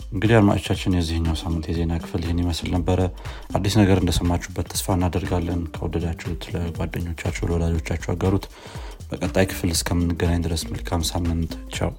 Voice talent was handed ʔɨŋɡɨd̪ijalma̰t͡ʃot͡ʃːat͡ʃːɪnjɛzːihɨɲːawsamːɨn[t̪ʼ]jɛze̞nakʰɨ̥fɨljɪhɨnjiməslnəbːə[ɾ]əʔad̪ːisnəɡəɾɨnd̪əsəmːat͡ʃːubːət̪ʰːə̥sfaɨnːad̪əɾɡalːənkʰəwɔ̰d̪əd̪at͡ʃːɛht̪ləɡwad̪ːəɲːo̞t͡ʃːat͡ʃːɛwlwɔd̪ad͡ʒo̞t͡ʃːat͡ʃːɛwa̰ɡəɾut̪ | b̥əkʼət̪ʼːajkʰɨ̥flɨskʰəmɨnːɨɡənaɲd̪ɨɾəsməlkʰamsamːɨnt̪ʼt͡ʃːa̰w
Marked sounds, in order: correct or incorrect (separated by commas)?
incorrect, correct